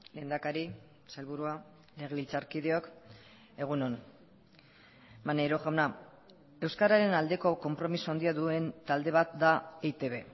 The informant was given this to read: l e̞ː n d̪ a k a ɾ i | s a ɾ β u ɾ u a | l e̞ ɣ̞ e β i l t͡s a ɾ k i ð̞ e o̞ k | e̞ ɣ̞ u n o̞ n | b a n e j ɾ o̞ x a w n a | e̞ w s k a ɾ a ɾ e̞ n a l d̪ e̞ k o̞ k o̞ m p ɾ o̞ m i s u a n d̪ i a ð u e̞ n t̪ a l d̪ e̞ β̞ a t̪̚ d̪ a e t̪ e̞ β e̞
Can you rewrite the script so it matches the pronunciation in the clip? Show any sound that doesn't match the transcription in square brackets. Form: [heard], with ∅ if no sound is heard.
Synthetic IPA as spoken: l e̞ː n d̪ a k a ɾ i | s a [l] β u ɾ u a | l e̞ ɣ̞ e β i l t͡s a ɾ k i ð̞ e o̞ k | e̞ ɣ̞ u n o̞ n | [m] a n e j ɾ o̞ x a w n a | e̞ w s k a ɾ a ɾ e̞ n a l d̪ e̞ k o̞ k o̞ m p ɾ o̞ m i s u a n d̪ i a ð u e̞ n t̪ a l d̪ e̞ β̞ a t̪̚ d̪ a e t̪ e̞ β e̞

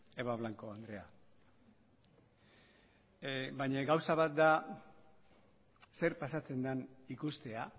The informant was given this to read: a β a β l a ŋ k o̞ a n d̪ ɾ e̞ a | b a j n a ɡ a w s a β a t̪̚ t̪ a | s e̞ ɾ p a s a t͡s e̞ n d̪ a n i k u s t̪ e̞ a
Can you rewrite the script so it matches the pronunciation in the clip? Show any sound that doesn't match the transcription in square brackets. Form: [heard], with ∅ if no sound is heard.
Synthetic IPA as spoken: [e] β a β l a ŋ k o̞ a n d̪ ɾ e̞ a | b a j [ɲ] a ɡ a w s a β a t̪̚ [d̪] a | s e̞ ɾ p a s a t͡s e̞ n d̪ a n i k u s t̪ e̞ a

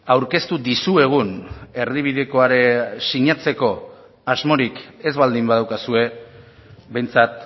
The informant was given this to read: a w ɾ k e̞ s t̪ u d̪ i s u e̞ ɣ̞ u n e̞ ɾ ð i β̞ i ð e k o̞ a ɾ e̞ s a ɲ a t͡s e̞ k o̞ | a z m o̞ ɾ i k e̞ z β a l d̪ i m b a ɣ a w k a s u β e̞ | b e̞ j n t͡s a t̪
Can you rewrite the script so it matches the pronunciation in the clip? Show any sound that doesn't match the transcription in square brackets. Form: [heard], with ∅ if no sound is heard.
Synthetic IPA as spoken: a w ɾ k e̞ s t̪ u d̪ i s u e̞ ɣ̞ u n e̞ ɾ ð i β̞ i ð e k o̞ a ɾ e̞ s [i] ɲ a t͡s e̞ k o̞ | a z m o̞ ɾ i k e̞ z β a l d̪ i m b a [ð] a w k a s u [∅] e̞ | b e̞ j n t͡s a t̪

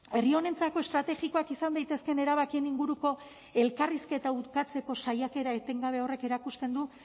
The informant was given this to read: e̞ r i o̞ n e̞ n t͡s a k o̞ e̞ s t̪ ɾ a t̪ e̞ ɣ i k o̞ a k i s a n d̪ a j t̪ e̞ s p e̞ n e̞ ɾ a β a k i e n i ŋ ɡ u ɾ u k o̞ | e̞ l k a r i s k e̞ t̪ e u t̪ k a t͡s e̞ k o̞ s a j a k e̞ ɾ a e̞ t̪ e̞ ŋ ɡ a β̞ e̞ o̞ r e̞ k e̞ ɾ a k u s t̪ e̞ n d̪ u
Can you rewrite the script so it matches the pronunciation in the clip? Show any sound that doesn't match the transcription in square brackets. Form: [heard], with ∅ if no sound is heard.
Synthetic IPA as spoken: e̞ r i o̞ n e̞ n t͡s a k o̞ e̞ s t̪ ɾ a t̪ e̞ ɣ i k o̞ a k i s a n d̪ a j t̪ e̞ s [k] e̞ n e̞ ɾ a β a k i e n i ŋ ɡ u ɾ u k o̞ | e̞ l k a r i s k e̞ t̪ [a] u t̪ k a t͡s e̞ k o̞ s a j a k e̞ ɾ a e̞ t̪ e̞ ŋ ɡ a β̞ e̞ o̞ r e̞ k e̞ ɾ a k u s t̪ e̞ n d̪ u

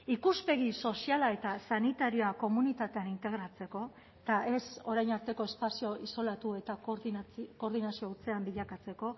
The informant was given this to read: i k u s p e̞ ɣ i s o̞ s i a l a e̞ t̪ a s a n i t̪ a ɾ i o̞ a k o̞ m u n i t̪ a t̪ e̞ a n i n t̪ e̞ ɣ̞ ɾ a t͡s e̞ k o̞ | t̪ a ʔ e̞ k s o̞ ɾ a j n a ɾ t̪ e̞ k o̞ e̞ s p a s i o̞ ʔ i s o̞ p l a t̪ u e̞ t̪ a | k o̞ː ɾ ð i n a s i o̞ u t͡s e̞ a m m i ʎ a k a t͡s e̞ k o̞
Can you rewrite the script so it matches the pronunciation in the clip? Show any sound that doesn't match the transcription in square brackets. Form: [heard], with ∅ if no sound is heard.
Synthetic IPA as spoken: i k u s p e̞ ɣ i s o̞ s i a l a e̞ t̪ a s a n i t̪ a ɾ i o̞ a k o̞ m u n i t̪ a t̪ e̞ a n i n t̪ e̞ ɣ̞ ɾ a t͡s e̞ k o̞ | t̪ a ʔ e̞ [∅] s o̞ ɾ a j n a ɾ t̪ e̞ k o̞ e̞ s p a s i o̞ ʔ i s o̞ [∅] l a t̪ u e̞ t̪ a | k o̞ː ɾ ð i n a s i o̞ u t͡s e̞ a m [b] i ʎ a k a t͡s e̞ k o̞

